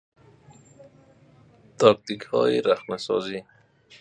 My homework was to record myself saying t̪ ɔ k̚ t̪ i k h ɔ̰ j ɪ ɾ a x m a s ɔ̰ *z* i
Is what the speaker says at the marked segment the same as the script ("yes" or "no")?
yes